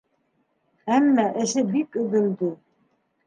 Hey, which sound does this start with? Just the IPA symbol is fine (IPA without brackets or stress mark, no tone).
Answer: æ